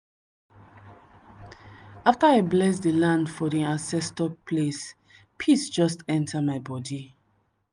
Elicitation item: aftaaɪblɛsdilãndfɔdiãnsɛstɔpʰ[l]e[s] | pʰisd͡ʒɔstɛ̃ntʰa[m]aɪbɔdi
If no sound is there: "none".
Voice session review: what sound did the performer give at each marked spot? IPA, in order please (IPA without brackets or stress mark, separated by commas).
l, s, m